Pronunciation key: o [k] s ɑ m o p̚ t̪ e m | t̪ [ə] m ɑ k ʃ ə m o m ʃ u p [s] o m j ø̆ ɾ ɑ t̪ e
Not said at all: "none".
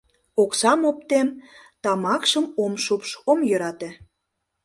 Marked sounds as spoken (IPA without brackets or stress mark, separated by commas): k, ɑ, ʃ